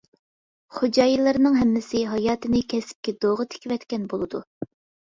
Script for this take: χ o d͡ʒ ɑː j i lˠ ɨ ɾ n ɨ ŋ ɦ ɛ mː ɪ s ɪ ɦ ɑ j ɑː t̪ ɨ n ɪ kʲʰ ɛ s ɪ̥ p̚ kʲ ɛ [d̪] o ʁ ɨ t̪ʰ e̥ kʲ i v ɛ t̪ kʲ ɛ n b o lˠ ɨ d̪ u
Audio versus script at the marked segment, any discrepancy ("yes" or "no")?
no